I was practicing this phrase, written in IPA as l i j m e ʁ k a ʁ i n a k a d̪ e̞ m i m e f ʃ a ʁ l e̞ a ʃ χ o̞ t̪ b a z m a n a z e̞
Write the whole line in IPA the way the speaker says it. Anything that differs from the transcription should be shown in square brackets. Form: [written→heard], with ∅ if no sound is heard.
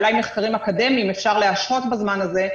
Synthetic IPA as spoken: l [i→a] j m e [ʁ→χ] k a ʁ i [n→m] a k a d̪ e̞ m i m e f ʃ a ʁ l e̞ a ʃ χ o̞ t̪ b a z m a n a z e̞